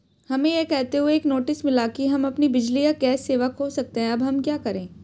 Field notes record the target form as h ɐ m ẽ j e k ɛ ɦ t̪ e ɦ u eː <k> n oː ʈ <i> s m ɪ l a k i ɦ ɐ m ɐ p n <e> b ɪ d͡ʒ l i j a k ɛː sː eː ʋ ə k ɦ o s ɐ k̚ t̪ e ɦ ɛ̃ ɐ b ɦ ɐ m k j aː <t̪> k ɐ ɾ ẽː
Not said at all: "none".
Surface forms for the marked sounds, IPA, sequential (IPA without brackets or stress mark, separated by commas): k, ɪ, i, none